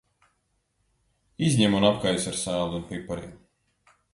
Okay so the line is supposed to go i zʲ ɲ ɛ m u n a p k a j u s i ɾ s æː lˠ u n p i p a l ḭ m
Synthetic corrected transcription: i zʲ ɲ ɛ m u n a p k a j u s a ɾ s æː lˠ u n p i p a ɾ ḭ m